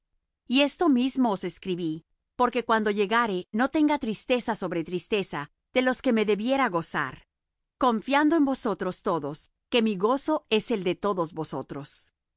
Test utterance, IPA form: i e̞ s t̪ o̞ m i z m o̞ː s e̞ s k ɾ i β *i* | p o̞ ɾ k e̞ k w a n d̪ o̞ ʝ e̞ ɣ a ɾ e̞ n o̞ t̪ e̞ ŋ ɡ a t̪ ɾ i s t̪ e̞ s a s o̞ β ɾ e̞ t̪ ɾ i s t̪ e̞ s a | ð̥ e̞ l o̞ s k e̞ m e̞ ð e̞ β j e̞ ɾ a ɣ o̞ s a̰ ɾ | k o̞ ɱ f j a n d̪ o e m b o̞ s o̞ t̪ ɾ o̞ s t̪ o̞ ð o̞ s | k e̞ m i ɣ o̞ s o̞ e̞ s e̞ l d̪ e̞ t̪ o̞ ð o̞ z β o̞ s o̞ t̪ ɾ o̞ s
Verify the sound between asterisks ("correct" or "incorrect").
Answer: correct